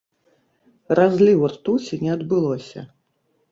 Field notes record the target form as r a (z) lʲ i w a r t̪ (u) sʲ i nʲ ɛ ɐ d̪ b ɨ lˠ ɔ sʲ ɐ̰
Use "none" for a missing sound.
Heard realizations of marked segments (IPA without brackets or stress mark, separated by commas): z, u